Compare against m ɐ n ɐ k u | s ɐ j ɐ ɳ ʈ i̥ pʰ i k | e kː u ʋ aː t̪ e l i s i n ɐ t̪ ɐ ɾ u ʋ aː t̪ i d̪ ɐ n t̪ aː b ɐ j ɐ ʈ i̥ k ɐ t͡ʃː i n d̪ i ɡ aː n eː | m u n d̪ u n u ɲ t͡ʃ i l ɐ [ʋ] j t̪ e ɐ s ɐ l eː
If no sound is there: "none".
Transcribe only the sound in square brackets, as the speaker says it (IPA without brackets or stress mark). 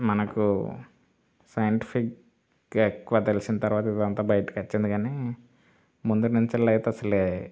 none